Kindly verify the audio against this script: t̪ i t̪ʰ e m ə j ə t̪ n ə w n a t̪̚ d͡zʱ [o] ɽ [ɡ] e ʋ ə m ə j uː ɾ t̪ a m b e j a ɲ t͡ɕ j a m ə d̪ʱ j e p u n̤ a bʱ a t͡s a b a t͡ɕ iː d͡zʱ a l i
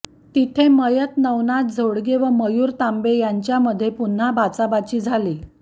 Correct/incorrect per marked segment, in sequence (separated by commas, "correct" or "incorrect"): correct, correct